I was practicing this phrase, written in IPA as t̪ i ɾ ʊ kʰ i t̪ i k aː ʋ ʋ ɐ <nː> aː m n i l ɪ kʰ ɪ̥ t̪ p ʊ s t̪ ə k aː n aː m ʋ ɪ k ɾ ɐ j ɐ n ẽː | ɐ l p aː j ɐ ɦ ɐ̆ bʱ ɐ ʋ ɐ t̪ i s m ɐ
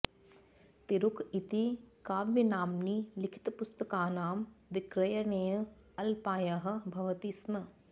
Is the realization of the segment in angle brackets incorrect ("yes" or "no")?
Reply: yes